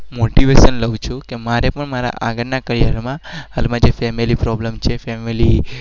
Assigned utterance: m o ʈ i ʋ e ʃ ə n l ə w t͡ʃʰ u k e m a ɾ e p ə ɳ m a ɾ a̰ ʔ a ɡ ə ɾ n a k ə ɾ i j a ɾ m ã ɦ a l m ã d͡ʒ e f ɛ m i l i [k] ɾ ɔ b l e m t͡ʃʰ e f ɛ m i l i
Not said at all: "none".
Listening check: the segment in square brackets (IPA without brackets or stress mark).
p